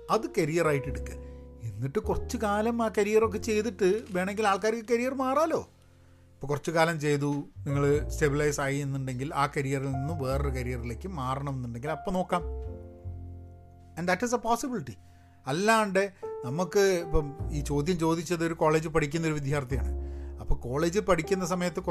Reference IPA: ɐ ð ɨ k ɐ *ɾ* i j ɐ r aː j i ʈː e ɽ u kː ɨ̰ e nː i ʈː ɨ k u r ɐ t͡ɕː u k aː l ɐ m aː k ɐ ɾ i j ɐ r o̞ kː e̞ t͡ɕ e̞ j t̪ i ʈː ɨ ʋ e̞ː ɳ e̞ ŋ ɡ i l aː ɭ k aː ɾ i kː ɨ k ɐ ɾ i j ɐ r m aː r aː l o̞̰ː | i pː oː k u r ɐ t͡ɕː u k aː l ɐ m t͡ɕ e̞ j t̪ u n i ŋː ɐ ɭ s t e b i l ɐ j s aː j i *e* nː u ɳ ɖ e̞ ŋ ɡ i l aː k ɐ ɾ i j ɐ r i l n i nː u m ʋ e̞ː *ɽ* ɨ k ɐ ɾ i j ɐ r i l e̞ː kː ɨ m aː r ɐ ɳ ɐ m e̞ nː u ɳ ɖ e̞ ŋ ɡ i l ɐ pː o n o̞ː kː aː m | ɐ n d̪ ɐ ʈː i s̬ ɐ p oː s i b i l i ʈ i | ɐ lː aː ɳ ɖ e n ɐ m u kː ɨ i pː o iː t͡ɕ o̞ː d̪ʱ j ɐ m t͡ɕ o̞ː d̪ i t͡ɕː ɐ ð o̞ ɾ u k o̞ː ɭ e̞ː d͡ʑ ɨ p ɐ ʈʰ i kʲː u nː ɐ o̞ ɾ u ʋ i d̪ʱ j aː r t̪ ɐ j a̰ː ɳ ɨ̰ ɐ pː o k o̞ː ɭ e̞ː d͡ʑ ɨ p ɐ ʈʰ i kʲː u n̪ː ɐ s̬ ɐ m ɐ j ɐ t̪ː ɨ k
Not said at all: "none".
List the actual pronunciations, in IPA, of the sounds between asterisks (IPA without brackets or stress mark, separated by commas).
ɾ, e, r